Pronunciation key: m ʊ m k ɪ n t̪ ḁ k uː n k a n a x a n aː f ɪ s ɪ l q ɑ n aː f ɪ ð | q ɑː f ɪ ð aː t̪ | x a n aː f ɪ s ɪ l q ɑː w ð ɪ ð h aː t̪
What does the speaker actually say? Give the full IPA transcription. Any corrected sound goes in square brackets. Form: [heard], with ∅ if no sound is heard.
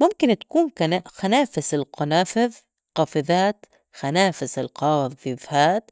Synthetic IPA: m ʊ m k ɪ n t̪ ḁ k uː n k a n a x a n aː f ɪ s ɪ l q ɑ n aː f ɪ ð | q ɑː f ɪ ð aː t̪ | x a n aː f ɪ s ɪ l q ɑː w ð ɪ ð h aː t̪

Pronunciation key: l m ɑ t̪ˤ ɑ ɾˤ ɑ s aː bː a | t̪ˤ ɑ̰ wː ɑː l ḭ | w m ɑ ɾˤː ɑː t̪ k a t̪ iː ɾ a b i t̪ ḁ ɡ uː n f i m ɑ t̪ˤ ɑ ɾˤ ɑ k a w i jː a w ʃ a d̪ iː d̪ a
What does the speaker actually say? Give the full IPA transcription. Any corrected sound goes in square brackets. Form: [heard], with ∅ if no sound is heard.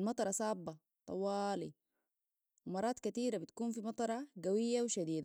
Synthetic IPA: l m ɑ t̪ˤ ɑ ɾˤ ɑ s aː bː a | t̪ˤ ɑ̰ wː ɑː l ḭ | w m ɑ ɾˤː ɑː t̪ k a t̪ iː ɾ a b i t̪ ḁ [k] uː n f i m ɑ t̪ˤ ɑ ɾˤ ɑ [ɡ] a w i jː a w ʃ a d̪ iː d̪ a

